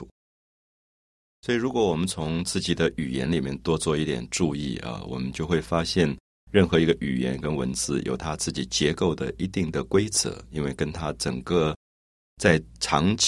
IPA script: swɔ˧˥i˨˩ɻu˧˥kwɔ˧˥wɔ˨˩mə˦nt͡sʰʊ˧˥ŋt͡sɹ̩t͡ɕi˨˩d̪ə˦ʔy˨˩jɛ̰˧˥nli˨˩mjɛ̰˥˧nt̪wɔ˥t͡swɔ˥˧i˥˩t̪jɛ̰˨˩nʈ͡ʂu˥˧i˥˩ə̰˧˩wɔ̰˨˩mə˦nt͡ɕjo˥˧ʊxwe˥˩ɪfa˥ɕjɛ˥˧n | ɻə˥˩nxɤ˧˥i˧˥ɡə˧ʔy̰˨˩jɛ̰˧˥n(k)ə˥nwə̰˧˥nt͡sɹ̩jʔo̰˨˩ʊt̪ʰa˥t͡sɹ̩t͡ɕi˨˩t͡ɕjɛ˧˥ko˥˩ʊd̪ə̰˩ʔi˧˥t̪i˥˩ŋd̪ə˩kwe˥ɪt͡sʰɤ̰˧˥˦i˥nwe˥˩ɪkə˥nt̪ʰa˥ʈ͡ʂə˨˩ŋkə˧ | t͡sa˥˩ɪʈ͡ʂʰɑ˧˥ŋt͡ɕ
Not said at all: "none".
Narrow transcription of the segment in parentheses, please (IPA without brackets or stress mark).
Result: k